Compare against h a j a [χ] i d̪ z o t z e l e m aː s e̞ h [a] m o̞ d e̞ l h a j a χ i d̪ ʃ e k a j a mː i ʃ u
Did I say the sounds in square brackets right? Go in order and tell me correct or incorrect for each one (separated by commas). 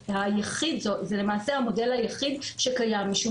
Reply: correct, correct